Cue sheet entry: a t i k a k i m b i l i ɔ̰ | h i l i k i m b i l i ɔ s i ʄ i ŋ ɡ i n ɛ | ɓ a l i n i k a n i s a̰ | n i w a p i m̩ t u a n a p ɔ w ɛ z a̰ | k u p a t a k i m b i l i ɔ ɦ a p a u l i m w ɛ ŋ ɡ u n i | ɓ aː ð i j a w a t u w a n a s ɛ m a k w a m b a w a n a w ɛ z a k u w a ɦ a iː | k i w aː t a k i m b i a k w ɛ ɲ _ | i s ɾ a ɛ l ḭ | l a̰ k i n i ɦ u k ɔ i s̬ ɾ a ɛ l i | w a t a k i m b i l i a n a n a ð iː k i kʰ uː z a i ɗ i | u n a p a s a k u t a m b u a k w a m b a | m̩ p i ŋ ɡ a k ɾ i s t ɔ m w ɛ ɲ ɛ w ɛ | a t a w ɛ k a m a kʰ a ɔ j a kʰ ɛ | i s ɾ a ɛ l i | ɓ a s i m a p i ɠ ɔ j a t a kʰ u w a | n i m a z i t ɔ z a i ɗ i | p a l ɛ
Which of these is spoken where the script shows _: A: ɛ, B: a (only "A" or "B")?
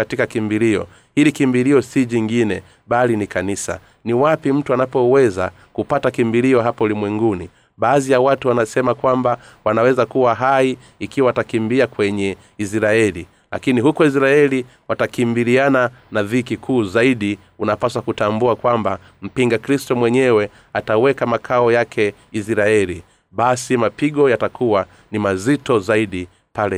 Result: A